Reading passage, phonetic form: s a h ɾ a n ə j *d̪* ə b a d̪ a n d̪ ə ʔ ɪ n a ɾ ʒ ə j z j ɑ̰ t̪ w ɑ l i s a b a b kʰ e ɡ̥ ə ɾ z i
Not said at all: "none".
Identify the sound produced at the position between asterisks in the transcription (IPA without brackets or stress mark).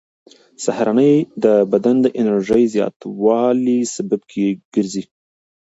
d̪